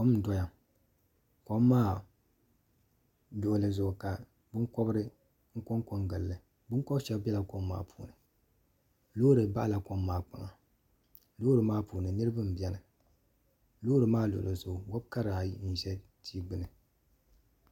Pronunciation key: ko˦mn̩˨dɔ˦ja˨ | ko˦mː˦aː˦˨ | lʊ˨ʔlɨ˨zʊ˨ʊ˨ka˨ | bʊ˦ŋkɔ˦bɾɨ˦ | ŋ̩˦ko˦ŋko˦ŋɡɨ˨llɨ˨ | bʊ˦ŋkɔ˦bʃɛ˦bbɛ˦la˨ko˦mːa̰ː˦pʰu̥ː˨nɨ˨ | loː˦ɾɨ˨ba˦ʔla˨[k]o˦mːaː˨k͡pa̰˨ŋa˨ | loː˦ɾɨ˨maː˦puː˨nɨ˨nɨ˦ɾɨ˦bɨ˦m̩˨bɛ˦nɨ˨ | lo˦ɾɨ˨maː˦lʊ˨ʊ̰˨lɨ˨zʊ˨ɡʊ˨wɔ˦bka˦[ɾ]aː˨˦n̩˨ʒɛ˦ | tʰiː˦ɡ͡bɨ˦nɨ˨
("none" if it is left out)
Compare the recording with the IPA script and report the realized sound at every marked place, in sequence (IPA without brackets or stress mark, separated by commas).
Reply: k, ɾ